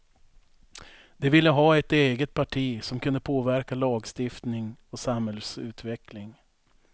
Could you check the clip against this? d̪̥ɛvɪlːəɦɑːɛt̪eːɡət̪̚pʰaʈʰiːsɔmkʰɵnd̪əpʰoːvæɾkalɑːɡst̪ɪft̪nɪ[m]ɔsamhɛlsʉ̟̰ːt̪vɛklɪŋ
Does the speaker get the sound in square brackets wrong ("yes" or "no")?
yes